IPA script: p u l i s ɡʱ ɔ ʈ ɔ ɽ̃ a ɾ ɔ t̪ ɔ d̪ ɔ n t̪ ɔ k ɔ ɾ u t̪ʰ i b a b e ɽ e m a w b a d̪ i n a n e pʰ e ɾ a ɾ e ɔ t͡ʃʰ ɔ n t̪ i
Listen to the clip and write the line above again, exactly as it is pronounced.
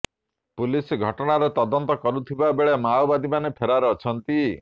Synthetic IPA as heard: p u l i s ɡʱ ɔ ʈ ɔ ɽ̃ a ɾ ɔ t̪ ɔ d̪ ɔ n t̪ ɔ k ɔ ɾ u t̪ʰ i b a b e ɭ e m a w b a d̪ i m a n e pʰ e ɾ a ɾ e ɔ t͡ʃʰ ɔ n t̪ i